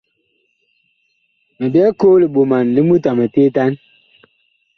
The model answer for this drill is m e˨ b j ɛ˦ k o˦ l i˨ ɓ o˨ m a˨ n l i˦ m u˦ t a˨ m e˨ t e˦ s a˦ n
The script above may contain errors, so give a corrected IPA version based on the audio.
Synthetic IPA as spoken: m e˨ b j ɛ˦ k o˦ l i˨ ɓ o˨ m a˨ n l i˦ m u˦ t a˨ m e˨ t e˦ t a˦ n